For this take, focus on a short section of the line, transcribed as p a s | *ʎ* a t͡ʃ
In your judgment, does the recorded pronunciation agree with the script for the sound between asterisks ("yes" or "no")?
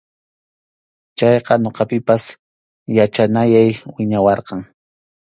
no